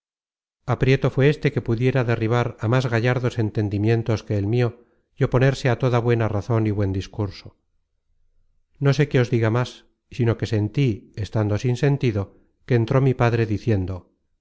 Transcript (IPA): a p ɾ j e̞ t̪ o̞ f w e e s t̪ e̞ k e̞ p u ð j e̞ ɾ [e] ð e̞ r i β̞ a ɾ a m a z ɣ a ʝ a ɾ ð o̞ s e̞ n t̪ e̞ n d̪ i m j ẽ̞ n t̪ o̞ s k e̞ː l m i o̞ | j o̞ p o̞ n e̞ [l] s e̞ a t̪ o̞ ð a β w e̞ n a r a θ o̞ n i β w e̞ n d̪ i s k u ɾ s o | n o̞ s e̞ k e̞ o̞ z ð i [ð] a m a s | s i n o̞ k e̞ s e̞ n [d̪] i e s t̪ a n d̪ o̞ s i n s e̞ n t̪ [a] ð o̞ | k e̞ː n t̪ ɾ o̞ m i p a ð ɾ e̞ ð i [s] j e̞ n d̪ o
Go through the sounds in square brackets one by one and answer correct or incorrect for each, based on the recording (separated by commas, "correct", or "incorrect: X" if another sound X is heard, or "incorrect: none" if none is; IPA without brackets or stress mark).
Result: incorrect: a, incorrect: ɾ, incorrect: ɣ, incorrect: t̪, incorrect: i, incorrect: θ